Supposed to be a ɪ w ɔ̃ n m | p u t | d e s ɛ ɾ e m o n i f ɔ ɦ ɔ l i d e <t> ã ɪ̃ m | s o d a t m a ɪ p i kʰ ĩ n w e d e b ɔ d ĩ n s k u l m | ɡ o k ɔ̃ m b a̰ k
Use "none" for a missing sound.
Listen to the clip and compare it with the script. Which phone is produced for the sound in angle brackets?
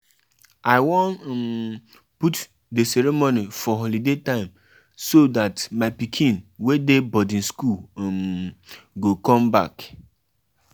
t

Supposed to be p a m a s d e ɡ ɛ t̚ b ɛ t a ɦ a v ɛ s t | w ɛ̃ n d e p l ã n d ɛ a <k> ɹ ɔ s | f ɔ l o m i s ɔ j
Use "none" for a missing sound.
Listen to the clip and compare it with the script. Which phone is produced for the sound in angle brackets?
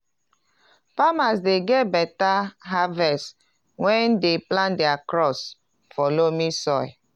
k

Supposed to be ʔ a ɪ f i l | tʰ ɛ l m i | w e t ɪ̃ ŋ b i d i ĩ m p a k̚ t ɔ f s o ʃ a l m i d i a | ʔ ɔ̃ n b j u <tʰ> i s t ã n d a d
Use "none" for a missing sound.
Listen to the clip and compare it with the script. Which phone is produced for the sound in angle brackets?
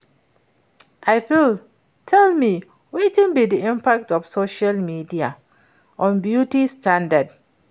t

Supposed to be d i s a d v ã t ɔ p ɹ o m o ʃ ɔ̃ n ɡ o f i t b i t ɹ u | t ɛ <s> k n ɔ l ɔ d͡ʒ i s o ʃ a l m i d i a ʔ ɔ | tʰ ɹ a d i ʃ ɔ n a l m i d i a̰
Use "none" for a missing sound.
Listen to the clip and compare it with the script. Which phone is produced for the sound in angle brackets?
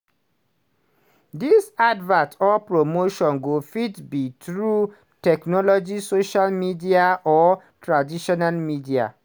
none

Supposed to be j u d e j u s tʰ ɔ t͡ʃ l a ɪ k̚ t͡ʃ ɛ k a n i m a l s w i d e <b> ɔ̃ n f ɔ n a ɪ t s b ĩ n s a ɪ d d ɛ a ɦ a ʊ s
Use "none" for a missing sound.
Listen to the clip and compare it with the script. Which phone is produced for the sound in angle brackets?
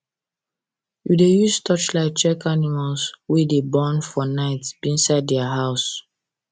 b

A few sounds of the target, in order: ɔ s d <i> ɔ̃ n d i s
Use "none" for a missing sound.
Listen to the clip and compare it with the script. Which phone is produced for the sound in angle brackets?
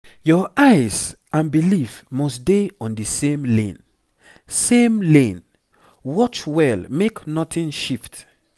e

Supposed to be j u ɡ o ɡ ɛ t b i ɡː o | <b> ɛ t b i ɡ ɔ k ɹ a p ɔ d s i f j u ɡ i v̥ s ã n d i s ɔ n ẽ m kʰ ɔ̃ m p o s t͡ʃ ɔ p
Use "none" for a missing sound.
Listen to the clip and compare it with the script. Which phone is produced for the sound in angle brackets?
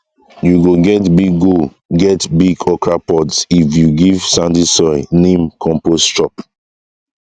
ɡ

